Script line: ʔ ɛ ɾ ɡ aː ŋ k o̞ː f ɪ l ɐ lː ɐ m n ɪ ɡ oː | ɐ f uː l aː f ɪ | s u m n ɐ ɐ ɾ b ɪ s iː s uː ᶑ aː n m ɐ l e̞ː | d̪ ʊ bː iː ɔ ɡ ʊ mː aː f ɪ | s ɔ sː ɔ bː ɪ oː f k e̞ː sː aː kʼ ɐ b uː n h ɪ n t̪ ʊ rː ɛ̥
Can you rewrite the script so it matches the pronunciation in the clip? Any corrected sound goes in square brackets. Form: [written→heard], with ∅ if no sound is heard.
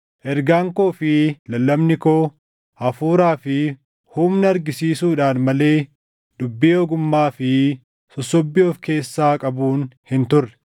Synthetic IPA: ʔ ɛ ɾ ɡ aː ŋ k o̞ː f ɪ l ɐ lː ɐ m n ɪ [ɡ→k] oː | ɐ f uː [l→ɾ] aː f ɪ | [s→h] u m n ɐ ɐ ɾ [b→ɡ] ɪ s iː s uː ᶑ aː n m ɐ l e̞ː | d̪ ʊ bː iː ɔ ɡ ʊ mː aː f ɪ | s ɔ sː ɔ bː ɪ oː f k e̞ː sː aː kʼ ɐ b uː n h ɪ n t̪ ʊ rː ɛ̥